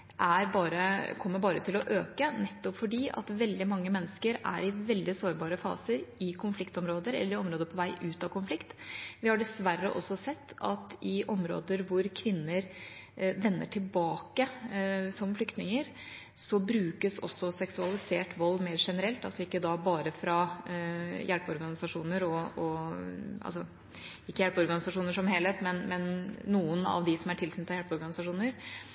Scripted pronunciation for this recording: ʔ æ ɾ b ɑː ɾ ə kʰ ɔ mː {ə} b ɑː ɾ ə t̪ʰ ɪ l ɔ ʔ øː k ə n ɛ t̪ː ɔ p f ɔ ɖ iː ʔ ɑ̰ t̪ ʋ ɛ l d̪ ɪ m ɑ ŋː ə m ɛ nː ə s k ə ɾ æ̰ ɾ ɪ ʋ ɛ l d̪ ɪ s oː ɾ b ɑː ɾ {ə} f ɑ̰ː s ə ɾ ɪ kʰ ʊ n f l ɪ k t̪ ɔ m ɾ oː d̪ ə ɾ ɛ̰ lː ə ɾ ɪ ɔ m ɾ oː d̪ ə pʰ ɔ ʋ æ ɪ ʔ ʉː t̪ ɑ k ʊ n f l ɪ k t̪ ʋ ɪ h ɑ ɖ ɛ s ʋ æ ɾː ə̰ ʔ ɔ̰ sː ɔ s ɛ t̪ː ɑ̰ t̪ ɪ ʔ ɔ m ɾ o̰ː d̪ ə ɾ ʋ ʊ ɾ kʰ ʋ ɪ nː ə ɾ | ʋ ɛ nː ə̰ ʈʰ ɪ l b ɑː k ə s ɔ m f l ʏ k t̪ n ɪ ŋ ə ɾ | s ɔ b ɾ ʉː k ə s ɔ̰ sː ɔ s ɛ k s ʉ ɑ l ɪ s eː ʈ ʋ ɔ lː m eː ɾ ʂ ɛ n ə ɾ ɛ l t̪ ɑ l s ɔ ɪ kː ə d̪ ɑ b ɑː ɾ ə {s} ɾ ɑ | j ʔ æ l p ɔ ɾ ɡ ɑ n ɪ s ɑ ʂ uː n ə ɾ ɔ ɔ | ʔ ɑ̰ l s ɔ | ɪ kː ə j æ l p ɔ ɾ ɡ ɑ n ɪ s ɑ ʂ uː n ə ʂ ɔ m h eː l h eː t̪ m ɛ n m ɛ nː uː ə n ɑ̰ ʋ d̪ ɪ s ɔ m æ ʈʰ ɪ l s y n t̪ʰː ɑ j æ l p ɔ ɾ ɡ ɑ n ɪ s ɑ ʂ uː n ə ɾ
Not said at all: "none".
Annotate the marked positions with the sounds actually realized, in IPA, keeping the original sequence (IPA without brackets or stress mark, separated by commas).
ə, ə, f